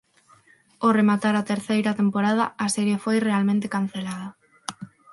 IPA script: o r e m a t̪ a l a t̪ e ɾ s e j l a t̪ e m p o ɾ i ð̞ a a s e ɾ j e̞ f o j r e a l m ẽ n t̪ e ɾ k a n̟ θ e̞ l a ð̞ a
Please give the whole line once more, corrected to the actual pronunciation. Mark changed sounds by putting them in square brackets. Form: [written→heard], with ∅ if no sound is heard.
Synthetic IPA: o r e m a t̪ a [l→ɾ] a t̪ e ɾ [s→θ] e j [l→ɾ] a t̪ e m p o ɾ [i→a] ð̞ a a s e ɾ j e̞ f o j r e a l m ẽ n t̪ e [ɾ→∅] k a n̟ θ e̞ l a ð̞ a